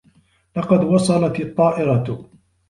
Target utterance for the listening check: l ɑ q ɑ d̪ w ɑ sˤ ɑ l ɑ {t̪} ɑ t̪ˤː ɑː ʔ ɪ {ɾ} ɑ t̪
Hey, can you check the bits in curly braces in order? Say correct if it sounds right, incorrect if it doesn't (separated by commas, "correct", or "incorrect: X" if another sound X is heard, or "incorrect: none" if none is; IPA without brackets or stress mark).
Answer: correct, correct